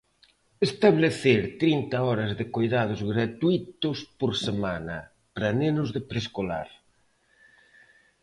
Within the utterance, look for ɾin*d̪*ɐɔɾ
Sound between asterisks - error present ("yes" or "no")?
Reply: yes